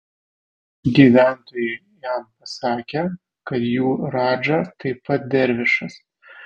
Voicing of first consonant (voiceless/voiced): voiced